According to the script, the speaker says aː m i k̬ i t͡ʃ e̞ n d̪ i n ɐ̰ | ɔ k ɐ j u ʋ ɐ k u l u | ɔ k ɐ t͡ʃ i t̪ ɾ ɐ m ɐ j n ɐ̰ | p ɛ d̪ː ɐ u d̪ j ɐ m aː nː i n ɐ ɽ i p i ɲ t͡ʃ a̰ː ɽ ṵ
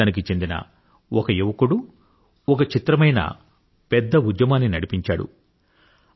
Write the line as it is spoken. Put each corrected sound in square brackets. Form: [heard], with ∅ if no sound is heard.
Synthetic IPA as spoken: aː [n] i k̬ i t͡ʃ e̞ n d̪ i n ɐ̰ | ɔ k ɐ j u ʋ ɐ k u [ɽ] u | ɔ k ɐ t͡ʃ i t̪ ɾ ɐ m ɐ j n ɐ̰ | p ɛ d̪ː ɐ u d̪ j ɐ m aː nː i n ɐ ɽ i p i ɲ t͡ʃ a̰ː ɽ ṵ